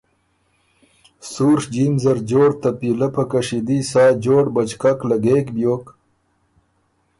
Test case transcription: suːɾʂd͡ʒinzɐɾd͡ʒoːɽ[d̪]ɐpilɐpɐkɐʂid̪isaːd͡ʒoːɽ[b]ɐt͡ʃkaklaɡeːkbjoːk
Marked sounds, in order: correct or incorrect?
incorrect: t̪, correct

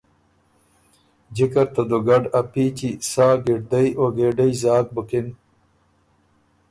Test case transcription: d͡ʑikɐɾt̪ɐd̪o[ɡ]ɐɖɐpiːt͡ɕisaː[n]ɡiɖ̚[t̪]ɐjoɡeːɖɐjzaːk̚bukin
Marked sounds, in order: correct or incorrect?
correct, incorrect: none, incorrect: d̪

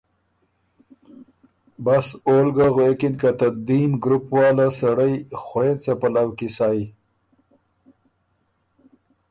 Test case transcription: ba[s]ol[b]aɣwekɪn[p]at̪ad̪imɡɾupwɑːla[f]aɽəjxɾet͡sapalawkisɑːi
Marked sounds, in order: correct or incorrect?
correct, incorrect: ɡ, incorrect: k, incorrect: s

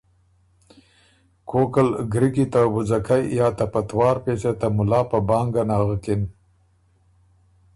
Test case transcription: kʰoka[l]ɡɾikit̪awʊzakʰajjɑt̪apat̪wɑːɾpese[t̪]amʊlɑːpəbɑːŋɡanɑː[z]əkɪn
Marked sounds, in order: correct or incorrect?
correct, correct, incorrect: ɣ

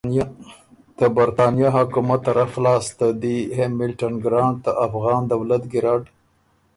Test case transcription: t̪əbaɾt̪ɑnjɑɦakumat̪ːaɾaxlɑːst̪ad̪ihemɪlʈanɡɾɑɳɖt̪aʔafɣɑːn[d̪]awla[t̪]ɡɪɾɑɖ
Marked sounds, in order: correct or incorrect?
correct, correct

